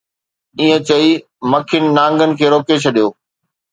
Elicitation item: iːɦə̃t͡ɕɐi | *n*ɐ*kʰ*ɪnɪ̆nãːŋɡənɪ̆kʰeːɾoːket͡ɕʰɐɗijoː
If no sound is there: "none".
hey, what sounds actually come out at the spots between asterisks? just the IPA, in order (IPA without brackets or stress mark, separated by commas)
m, kʰ